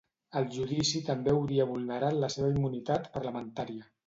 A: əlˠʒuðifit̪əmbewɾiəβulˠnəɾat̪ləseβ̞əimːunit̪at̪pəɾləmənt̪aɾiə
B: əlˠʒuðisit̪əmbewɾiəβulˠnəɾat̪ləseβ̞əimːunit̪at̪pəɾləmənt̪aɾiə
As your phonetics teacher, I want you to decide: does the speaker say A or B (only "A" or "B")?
B